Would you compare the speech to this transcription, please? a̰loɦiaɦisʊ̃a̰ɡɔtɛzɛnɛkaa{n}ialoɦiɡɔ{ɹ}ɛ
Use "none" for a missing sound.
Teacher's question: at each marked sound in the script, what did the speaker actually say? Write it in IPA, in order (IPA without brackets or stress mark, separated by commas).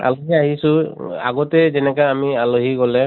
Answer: m, l